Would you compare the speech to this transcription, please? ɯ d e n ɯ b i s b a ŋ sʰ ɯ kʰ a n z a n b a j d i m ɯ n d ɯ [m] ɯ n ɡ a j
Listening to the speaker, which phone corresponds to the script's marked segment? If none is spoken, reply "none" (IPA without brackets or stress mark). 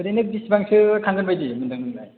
ŋ